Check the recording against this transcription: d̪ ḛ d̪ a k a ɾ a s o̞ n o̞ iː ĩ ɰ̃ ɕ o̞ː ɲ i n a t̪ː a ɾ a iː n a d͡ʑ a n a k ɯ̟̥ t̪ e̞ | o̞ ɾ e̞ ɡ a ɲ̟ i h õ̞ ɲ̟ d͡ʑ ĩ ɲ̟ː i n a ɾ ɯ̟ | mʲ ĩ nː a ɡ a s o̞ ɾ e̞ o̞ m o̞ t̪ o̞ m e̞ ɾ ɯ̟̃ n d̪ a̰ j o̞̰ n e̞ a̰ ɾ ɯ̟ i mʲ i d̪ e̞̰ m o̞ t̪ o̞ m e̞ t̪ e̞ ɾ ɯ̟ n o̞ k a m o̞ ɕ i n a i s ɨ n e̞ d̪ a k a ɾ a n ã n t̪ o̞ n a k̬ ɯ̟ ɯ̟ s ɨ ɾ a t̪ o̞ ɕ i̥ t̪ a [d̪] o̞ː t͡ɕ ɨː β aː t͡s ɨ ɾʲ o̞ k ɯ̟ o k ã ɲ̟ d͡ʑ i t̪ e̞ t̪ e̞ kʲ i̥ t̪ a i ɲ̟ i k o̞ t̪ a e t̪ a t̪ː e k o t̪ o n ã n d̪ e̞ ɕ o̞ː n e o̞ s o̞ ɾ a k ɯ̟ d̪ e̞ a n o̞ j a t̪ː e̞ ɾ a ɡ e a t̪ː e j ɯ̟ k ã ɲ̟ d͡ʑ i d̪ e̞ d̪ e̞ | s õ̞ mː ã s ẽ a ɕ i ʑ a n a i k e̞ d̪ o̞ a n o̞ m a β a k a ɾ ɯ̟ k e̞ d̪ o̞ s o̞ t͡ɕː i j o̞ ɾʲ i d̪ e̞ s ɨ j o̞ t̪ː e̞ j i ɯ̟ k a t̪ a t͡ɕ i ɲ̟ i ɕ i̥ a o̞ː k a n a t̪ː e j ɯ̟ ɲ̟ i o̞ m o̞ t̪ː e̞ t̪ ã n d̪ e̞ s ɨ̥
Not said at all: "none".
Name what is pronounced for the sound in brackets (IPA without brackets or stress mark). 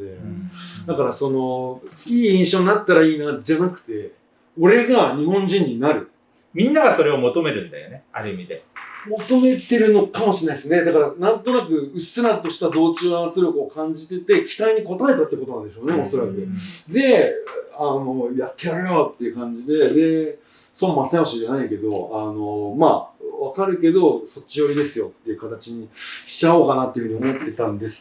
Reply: d̪